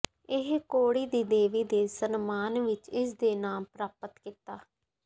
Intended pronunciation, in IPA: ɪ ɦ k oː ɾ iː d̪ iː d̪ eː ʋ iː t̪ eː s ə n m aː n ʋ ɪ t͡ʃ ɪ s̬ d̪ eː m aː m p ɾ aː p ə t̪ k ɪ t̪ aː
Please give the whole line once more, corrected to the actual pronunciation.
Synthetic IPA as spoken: ɪ ɦ k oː ɽ iː d̪ iː d̪ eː ʋ iː d̪ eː s ə n m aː n ʋ ɪ t͡ʃ ɪ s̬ d̪ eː n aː m p ɾ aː p ə t̪ k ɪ t̪ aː